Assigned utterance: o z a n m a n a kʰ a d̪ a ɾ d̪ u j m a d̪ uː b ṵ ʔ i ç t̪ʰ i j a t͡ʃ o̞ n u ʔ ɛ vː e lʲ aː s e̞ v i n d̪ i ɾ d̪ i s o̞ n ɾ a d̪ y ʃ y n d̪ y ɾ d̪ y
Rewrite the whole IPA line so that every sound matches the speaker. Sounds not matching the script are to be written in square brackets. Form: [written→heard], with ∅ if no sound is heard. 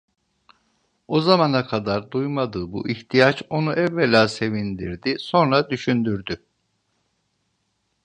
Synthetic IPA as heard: o z a [n→∅] m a n a kʰ a d̪ a ɾ d̪ u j m a d̪ [uː→ɯː] b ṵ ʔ i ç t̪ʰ i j a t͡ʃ o̞ n u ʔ ɛ vː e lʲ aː s e̞ v i n d̪ i ɾ d̪ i s o̞ n ɾ a d̪ y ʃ y n d̪ y ɾ d̪ y

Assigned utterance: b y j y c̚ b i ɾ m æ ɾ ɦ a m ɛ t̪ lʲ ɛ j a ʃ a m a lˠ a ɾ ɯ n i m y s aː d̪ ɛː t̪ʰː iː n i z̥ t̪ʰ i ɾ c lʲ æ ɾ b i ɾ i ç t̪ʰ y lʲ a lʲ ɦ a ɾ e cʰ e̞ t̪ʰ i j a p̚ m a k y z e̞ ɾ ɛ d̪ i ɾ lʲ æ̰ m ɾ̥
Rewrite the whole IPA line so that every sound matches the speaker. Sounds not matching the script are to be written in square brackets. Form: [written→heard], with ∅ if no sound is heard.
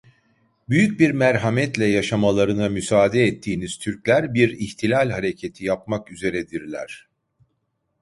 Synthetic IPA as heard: b y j y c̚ b i ɾ m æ ɾ ɦ a m ɛ t̪ lʲ ɛ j a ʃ a m a lˠ a ɾ ɯ n [i→a] m y s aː d̪ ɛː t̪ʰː iː n i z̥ t̪ʰ [i→y] ɾ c lʲ æ ɾ b i ɾ i ç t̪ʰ [y→i] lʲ a lʲ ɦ a ɾ e cʰ e̞ t̪ʰ i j a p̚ m a k y z e̞ ɾ ɛ d̪ i ɾ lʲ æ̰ [m→∅] ɾ̥

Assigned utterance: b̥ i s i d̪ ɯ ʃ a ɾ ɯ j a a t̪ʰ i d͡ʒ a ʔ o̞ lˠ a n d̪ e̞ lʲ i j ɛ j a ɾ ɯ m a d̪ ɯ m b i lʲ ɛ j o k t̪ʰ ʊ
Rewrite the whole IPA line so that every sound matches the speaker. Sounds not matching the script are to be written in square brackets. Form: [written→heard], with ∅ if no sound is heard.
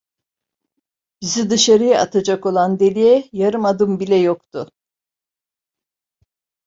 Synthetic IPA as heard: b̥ i [s→z] i d̪ ɯ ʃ a ɾ ɯ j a a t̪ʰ [i→a] d͡ʒ a [ʔ→k] o̞ lˠ a n d̪ e̞ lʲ i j ɛ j a ɾ ɯ m a d̪ ɯ m b i lʲ ɛ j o k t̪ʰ ʊ

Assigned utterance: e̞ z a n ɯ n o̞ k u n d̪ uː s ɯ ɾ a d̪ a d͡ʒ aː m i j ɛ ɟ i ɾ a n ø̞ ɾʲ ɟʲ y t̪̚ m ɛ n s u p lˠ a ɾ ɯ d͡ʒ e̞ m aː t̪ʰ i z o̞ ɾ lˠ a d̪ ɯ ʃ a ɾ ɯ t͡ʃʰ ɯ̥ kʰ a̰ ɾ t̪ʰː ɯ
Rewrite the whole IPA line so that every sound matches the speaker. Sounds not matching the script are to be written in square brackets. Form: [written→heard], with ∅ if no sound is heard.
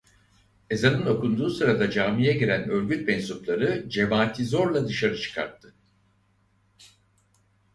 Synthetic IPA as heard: e̞ z a n ɯ n o̞ k u n d̪ uː s ɯ ɾ a d̪ a d͡ʒ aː m i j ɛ ɟ i ɾ [a→æ] n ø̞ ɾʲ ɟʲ y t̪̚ m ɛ n s u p lˠ a ɾ ɯ d͡ʒ e̞ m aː t̪ʰ i z o̞ ɾ lˠ a d̪ ɯ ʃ a ɾ ɯ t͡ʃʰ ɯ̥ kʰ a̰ ɾ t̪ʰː ɯ

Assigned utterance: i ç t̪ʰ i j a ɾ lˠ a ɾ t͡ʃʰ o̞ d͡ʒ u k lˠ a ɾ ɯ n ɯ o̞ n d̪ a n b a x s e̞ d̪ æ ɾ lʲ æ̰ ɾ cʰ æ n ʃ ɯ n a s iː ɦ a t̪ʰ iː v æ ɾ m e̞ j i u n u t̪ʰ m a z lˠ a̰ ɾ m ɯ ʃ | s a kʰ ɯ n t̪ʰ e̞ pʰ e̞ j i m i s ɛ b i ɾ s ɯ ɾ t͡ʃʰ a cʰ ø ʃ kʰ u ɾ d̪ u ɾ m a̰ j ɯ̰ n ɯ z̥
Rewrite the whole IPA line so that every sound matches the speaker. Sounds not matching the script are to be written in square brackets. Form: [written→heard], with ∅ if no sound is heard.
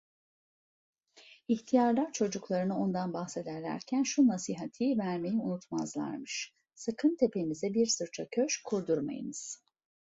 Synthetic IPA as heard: i ç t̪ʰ i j a ɾ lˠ a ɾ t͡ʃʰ o̞ d͡ʒ u k lˠ a ɾ ɯ n ɯ o̞ n d̪ a n b a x s e̞ d̪ æ ɾ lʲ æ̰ ɾ cʰ æ n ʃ [ɯ→u] n a s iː ɦ a t̪ʰ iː v æ ɾ m e̞ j i u n u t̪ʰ m a z lˠ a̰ ɾ m ɯ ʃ | s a kʰ ɯ n t̪ʰ e̞ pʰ e̞ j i m i [s→z] ɛ b i ɾ s ɯ ɾ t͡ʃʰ a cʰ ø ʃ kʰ u ɾ d̪ u ɾ m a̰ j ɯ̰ n ɯ z̥

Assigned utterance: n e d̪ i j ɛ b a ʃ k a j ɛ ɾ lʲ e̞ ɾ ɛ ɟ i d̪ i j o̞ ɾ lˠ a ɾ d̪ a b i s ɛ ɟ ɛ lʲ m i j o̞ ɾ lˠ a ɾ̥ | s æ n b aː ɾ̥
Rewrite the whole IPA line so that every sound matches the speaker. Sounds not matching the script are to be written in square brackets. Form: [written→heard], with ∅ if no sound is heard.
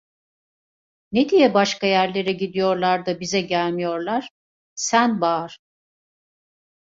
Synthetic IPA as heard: n e d̪ i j ɛ b a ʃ k a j [ɛ→æ] ɾ lʲ e̞ ɾ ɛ ɟ i d̪ i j o̞ ɾ lˠ a ɾ d̪ a b i [s→z] ɛ ɟ [ɛ→æ] lʲ m i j o̞ ɾ lˠ a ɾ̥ | s æ n b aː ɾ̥

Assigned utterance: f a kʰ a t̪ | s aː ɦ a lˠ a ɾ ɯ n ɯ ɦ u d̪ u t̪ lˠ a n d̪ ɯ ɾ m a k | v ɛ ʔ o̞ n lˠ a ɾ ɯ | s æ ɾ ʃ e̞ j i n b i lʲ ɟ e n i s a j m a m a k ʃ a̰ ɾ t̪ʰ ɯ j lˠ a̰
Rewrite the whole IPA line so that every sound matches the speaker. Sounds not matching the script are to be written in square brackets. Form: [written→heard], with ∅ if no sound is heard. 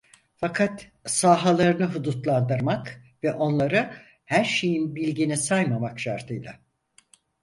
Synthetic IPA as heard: f a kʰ a t̪ | s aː ɦ a lˠ a ɾ ɯ n ɯ ɦ u d̪ u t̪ lˠ a n d̪ ɯ ɾ m a k | v ɛ ʔ o̞ n lˠ a ɾ ɯ | [s→h] æ ɾ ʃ e̞ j i n b i lʲ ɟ [e→i] n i s a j m a m a k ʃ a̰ ɾ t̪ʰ ɯ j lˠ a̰

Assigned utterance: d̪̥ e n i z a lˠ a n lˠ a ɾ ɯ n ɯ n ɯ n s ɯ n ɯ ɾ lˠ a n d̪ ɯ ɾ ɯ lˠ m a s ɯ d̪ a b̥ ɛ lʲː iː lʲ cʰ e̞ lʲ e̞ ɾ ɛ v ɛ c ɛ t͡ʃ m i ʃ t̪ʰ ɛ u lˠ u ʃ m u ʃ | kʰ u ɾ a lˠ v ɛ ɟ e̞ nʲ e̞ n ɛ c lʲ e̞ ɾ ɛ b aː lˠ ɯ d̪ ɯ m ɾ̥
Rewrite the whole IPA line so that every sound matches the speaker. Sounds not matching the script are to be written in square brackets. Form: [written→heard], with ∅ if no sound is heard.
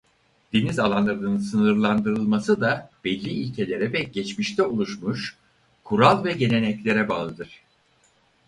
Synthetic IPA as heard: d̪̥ e n i z a lˠ a n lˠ a ɾ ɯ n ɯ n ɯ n s ɯ n ɯ ɾ lˠ a n d̪ ɯ ɾ ɯ lˠ m a s ɯ d̪ a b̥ ɛ lʲː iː lʲ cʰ e̞ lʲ e̞ ɾ ɛ v ɛ [c→ɟ] ɛ t͡ʃ m i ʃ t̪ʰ ɛ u lˠ u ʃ m u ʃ | kʰ u ɾ a lˠ v ɛ ɟ e̞ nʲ e̞ n ɛ c lʲ e̞ ɾ ɛ b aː lˠ ɯ d̪ ɯ [m→∅] ɾ̥

